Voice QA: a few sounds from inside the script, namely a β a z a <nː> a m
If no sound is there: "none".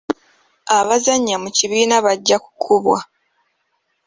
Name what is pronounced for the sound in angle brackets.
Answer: ɲː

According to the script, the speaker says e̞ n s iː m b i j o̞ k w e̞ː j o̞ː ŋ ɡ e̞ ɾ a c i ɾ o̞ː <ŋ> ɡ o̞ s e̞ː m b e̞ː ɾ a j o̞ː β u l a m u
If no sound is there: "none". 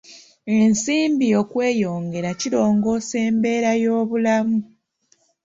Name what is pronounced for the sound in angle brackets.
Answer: ŋ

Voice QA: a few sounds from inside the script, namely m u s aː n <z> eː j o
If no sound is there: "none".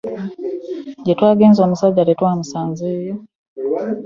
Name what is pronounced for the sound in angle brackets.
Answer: z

